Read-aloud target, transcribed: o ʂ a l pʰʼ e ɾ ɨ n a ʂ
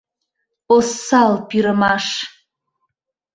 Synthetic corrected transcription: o s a l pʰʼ i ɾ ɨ m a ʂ